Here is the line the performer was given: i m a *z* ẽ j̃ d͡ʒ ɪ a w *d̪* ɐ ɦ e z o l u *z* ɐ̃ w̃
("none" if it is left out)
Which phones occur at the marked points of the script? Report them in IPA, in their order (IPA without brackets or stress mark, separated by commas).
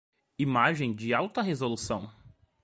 ʒ, t̪, s